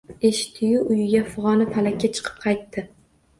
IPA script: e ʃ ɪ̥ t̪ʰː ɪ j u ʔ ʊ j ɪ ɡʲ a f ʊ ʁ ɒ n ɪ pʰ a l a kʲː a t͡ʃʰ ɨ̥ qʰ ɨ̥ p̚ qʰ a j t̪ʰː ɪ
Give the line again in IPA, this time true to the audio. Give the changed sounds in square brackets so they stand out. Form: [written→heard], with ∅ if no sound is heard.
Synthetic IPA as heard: e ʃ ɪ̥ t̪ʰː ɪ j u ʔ ʊ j ɪ ɡʲ a f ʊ ʁ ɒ n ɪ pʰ a l a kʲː a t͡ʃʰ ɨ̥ qʰ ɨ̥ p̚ qʰ [a→ɑ] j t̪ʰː ɪ